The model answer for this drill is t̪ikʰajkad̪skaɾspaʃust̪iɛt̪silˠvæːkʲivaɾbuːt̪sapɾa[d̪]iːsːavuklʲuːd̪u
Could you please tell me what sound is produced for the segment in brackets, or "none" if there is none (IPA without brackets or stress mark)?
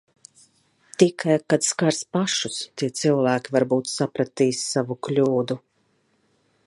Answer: t̪